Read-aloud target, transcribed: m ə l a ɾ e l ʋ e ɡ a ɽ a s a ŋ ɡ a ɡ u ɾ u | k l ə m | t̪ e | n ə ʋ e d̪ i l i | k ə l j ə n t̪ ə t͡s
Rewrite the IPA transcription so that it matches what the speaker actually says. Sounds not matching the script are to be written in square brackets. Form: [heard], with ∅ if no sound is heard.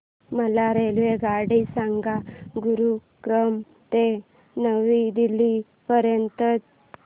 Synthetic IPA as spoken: m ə l a ɾ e l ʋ e ɡ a ɽ [i] s a ŋ ɡ a ɡ u ɾ u | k [ɾ] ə m | t̪ e | n ə ʋ [i] d̪ i l i | [p] ə [ɾ] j ə n t̪ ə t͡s

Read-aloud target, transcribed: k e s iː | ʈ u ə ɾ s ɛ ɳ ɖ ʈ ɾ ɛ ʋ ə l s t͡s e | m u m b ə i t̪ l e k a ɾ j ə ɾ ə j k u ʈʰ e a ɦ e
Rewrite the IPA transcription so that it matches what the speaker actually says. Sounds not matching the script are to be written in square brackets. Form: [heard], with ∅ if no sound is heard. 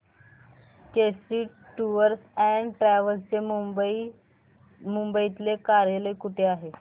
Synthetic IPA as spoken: k e s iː | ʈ u ə ɾ s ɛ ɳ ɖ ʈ ɾ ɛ ʋ ə l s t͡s e | m u m b ə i t̪ l e k a ɾ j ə [l] ə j k u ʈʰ e a ɦ e

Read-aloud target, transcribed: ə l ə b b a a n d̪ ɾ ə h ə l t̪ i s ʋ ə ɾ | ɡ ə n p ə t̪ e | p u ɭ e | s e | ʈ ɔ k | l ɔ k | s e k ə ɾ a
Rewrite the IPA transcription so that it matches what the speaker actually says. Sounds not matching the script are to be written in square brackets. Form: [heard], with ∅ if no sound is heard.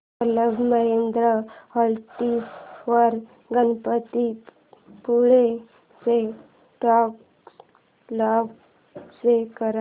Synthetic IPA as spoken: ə l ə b [m] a [e] n d̪ ɾ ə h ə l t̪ i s ʋ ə ɾ | ɡ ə n p ə t̪ [i] | p u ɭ e | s e | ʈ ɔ k | l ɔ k | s e k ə ɾ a

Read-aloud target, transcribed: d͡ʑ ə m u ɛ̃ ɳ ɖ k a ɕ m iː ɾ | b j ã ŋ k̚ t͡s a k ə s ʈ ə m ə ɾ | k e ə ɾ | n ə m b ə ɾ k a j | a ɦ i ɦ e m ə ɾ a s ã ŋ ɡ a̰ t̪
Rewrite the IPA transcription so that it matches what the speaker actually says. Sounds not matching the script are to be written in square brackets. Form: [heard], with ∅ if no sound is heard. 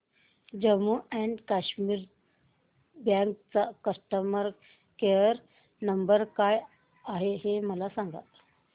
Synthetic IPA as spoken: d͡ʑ ə m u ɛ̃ ɳ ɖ k a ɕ m iː ɾ | b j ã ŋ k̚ t͡s a k ə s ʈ ə m ə ɾ | k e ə ɾ | n ə m b ə ɾ k a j | a ɦ [e] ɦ e m ə [l] a s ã ŋ ɡ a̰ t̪

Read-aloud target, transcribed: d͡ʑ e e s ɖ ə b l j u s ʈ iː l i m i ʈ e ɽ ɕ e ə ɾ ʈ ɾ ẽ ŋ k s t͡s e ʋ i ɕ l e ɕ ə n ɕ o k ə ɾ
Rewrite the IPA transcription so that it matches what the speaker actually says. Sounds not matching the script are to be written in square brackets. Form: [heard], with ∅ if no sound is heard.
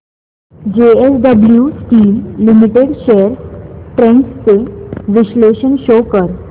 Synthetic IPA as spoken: d͡ʑ e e s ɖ ə b l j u s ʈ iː [lː] i m i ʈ e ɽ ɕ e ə ɾ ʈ ɾ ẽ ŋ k s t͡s e ʋ i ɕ l e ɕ ə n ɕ o k ə ɾ

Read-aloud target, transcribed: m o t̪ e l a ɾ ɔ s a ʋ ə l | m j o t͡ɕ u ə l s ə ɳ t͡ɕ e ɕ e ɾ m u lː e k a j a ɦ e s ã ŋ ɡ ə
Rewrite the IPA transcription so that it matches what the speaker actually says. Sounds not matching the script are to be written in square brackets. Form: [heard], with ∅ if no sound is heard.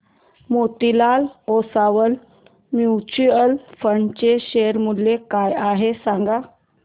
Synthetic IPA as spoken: m o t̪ [i] l a [l] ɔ s a ʋ ə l | m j [u] t͡ɕ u ə l [f] ə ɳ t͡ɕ e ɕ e ɾ m u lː e k a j a ɦ e s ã ŋ ɡ [a]

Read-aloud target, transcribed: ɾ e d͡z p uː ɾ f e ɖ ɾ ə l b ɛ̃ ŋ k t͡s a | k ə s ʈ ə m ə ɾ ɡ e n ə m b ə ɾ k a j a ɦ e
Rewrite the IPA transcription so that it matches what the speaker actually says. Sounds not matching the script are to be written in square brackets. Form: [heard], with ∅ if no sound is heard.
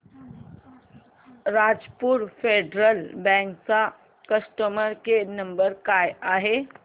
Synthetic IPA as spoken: ɾ [a] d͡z p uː ɾ f e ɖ ɾ ə l b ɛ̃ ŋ k t͡s a | k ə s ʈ ə m ə ɾ [k] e n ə m b ə ɾ k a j a ɦ e

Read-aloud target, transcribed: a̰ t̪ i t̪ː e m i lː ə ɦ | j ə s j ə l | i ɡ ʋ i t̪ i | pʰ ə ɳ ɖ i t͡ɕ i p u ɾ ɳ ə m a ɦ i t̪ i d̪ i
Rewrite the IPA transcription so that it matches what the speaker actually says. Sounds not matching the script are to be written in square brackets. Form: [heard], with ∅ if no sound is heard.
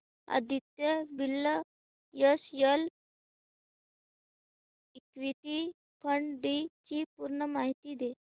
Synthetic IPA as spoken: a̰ [d̪] i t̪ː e [b] i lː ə [∅] | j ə s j ə l | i [k] ʋ i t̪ i | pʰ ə ɳ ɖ i t͡ɕ i p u ɾ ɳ ə m a ɦ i t̪ i d̪ [e]

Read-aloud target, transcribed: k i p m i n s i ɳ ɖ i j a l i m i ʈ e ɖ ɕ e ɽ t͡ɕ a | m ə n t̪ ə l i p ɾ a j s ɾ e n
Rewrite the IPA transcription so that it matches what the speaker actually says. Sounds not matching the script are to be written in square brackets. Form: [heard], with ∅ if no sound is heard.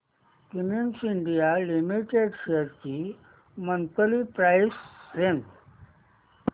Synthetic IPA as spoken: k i [∅] m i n s i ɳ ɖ i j a l i m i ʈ e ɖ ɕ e [ɾ] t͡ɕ [i] | m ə n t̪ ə l i p ɾ a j s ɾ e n

